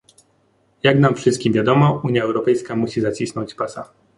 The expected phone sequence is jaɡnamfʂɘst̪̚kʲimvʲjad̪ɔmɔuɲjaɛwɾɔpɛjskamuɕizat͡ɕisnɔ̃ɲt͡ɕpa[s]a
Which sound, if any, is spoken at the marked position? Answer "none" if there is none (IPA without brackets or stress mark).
s